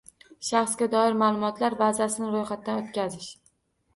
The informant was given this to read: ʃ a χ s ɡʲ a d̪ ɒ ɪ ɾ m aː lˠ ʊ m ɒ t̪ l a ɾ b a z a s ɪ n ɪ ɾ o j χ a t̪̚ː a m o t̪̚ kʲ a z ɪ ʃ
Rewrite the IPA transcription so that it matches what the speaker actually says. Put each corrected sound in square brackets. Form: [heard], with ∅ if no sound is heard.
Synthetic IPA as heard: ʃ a χ s ɡʲ a d̪ ɒ ɪ ɾ m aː lˠ ʊ m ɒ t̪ l a ɾ b a z a s ɪ n ɪ ɾ o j χ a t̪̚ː a [n] o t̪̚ kʲ a z ɪ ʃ